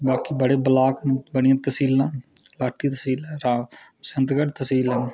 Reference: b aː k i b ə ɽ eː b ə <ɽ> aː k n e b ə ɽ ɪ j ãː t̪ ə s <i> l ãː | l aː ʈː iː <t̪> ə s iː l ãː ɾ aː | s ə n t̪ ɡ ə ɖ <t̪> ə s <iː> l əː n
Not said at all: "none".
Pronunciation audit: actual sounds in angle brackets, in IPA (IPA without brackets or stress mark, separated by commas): l, iː, t̪, t̪, iː